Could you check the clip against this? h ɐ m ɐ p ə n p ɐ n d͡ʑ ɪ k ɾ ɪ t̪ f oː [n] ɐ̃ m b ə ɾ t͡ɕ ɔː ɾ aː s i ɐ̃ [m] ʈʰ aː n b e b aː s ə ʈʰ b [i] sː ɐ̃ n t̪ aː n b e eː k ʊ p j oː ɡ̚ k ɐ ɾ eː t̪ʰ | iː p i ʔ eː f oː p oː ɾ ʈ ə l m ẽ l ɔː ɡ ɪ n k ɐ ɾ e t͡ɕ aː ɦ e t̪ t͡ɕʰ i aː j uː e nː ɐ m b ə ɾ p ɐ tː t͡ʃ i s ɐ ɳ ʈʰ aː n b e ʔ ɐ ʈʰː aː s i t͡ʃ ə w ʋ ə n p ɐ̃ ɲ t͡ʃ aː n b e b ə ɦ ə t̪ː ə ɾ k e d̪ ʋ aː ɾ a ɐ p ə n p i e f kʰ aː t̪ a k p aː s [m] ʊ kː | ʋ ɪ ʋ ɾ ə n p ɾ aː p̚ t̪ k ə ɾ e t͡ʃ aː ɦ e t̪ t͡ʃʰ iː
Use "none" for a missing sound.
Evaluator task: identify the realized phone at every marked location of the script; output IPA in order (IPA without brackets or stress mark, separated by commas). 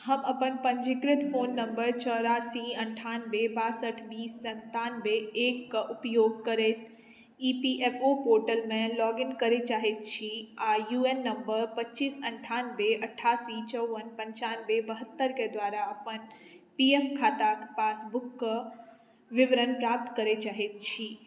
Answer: nː, ɳ, iː, b